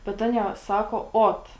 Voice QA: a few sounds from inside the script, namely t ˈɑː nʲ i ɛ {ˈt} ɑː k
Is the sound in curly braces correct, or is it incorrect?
incorrect